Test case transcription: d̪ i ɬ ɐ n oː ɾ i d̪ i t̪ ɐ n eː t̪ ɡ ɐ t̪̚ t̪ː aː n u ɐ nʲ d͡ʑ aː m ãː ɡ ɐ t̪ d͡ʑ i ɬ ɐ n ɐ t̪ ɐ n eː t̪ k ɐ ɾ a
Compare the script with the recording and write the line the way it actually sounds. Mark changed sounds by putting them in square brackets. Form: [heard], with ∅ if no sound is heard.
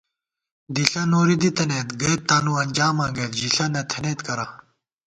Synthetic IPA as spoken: d̪ i ɬ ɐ n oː ɾ i d̪ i t̪ ɐ n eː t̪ ɡ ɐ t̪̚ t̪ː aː n u ɐ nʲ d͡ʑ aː m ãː ɡ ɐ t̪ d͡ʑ i ɬ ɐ n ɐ [t̪ʰ] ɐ n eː t̪ k ɐ ɾ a